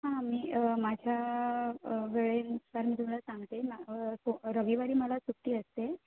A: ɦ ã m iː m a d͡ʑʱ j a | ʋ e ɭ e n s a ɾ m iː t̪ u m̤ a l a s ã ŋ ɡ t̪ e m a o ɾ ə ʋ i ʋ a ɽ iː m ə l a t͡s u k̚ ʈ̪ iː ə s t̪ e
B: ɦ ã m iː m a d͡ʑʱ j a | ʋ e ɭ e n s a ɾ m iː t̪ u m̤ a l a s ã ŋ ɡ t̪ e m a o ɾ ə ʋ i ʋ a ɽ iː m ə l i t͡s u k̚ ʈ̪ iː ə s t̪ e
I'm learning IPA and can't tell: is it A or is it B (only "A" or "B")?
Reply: A